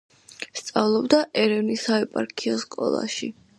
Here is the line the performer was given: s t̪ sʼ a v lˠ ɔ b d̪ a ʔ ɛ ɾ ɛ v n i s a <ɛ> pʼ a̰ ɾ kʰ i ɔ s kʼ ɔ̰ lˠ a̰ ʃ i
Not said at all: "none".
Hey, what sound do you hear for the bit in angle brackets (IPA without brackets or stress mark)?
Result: ɛ